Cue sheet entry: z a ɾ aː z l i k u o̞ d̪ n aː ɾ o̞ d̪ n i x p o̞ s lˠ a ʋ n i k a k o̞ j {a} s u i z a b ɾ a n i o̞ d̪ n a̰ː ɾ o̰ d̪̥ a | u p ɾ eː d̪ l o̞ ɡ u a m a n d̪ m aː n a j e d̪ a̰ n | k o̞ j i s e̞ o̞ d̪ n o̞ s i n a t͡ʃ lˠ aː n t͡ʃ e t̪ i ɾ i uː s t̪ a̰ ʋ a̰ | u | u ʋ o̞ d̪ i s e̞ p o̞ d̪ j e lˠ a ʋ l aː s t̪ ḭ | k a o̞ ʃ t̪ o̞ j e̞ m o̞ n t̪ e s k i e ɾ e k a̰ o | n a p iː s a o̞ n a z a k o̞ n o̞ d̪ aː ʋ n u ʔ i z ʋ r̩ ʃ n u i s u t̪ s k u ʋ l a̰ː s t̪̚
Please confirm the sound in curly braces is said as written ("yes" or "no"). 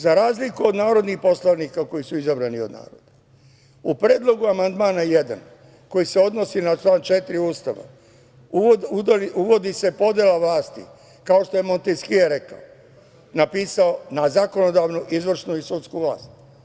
no